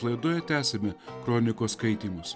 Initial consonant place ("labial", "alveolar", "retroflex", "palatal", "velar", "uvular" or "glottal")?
alveolar